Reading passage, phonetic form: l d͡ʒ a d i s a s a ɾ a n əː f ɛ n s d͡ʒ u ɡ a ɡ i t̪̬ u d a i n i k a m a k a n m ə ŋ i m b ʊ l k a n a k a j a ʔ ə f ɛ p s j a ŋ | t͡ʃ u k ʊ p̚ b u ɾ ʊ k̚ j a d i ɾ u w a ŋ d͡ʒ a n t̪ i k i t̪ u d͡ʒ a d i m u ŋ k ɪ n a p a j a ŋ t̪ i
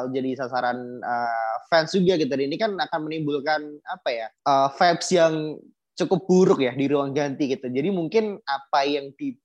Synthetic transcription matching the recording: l d͡ʒ a d i s a s a ɾ a n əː f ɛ n s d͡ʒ u ɡ a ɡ i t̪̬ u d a i n i k a n a k a n m ə n i m b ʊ l k a n a p a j a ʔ ə f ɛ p s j a ŋ | t͡ʃ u k ʊ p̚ b u ɾ ʊ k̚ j a d i ɾ u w a ŋ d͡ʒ a n t̪ i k i t̪ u d͡ʒ a d i m u ŋ k ɪ n a p a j a ŋ t̪ i